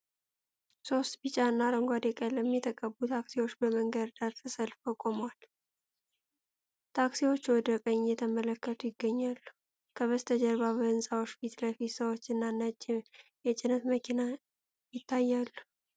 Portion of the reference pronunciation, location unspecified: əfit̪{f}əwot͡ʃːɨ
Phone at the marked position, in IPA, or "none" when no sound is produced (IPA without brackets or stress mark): s